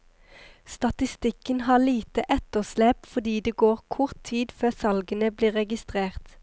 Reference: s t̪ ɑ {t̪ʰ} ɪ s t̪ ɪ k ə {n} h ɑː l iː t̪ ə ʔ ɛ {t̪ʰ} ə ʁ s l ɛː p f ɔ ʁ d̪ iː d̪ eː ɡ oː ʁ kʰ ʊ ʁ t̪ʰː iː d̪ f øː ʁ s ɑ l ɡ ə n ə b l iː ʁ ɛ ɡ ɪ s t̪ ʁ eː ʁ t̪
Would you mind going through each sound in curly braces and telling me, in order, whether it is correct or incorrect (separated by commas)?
incorrect, correct, incorrect